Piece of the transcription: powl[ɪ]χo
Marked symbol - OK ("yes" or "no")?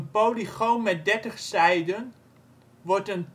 no